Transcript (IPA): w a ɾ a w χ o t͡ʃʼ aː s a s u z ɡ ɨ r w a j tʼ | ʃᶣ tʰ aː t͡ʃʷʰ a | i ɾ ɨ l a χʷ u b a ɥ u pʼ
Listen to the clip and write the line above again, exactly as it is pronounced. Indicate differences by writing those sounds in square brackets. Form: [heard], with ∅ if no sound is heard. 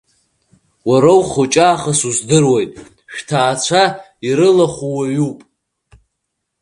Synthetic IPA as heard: w a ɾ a w χ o t͡ʃʼ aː [χ] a s u z [d] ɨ r w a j tʼ | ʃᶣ tʰ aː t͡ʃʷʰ a | i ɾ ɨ l a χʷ u [w] a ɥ u pʼ